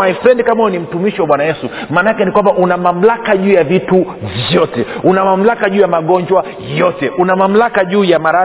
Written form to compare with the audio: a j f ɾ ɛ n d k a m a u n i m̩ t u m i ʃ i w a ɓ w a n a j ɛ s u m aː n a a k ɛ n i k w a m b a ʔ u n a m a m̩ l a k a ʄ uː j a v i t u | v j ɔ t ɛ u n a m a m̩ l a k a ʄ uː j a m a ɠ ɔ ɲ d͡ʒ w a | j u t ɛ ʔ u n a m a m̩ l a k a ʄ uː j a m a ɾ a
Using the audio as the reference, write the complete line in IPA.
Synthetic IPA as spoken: a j f ɾ ɛ n d k a m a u n i m̩ t u m i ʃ i w a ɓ w a n a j ɛ s u m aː n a a k ɛ n i k w a m b a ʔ u n a m a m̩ l a k a ʄ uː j a v i t u | v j ɔ t ɛ u n a m a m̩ l a k a ʄ uː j a m a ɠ ɔ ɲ d͡ʒ w a | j ɔ t ɛ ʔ u n a m a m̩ l a k a ʄ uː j a m a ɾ a